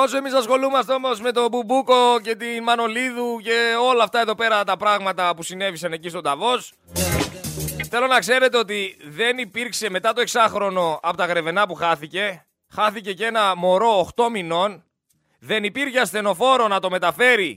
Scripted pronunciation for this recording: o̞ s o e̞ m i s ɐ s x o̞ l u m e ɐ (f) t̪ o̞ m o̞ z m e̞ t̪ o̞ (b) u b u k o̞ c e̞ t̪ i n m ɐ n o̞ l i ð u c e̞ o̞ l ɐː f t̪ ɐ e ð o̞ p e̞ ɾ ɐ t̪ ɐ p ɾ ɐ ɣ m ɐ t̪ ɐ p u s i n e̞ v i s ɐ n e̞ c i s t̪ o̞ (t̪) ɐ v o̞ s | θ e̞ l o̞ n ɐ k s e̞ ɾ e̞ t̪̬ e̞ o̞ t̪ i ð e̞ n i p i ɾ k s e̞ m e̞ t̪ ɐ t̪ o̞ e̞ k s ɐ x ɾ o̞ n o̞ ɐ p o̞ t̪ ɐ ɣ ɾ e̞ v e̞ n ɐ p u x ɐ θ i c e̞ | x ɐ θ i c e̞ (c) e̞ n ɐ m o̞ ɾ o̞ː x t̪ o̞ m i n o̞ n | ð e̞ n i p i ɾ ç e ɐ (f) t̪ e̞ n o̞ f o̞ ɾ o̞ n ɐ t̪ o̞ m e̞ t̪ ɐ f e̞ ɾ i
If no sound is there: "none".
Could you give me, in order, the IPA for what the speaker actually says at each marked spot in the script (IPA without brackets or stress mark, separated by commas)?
s, b, d̪, c, s